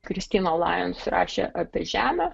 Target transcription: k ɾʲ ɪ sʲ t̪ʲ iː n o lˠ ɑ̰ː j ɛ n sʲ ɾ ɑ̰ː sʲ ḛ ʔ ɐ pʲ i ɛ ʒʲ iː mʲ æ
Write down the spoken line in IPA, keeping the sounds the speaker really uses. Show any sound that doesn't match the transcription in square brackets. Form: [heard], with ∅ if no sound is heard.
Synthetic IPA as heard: k ɾʲ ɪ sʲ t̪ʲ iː n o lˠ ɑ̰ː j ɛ n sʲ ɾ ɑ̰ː [ʃʲ] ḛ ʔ ɐ pʲ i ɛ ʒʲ [æː] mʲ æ